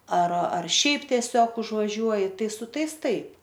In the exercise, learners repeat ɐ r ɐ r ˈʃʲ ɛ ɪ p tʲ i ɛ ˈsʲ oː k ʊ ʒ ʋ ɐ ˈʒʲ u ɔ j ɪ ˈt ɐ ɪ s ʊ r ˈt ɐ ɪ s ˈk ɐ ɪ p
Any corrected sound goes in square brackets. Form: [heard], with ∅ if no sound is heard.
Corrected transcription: ɐ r ɐ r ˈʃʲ ɛ ɪ p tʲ i ɛ ˈsʲ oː k ʊ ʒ ʋ ɐ ˈʒʲ u ɔ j ɪ ˈt ɐ ɪ s ʊ [∅] ˈt ɐ ɪ s [ˈt] ɐ ɪ p